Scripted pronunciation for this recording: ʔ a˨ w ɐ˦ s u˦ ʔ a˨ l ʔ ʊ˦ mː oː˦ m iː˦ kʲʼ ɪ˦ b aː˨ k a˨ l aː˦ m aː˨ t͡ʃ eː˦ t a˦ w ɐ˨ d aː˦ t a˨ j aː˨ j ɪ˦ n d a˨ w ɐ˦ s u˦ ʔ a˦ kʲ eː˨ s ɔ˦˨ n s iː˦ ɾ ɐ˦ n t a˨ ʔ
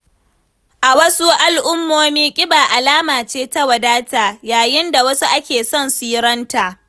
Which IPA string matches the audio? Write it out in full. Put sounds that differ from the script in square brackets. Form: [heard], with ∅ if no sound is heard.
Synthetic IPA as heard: ʔ a˨ w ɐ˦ s u˦ ʔ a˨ l ʔ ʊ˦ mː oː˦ m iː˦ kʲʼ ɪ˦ b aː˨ [ʔ] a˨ l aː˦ m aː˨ t͡ʃ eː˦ t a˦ w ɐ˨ d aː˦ t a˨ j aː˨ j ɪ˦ n d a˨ w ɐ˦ s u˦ ʔ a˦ kʲ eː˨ s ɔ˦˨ n s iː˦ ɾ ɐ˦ n t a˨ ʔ